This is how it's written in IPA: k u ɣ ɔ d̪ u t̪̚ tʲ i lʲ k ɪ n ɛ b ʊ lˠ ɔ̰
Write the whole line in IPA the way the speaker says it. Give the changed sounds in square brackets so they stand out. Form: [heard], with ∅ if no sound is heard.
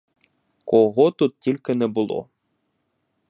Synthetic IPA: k [ɔ] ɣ ɔ [t̪] u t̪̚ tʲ i lʲ k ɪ n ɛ b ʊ lˠ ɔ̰